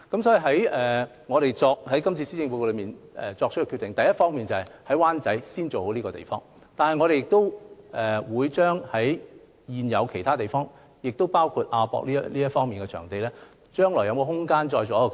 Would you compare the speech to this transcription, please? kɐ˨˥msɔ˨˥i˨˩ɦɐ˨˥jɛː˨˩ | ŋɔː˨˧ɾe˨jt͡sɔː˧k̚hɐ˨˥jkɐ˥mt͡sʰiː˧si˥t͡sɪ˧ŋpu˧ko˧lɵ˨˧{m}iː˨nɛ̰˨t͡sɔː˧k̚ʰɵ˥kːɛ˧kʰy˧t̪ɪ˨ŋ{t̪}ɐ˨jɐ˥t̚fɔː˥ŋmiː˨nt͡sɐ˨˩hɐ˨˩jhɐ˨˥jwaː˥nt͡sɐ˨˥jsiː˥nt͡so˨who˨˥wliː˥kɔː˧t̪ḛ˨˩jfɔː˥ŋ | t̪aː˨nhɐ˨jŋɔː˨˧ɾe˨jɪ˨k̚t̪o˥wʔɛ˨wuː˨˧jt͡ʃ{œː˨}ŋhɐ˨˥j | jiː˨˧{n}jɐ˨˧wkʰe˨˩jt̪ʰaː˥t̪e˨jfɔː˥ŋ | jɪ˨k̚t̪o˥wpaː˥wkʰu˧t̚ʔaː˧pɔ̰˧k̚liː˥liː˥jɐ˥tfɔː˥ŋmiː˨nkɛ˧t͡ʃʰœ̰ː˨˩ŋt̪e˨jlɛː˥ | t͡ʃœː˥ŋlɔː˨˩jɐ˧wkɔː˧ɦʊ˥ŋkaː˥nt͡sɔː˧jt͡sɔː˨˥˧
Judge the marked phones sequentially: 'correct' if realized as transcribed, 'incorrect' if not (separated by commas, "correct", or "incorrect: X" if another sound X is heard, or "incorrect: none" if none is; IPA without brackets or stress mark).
correct, correct, incorrect: œː˥, correct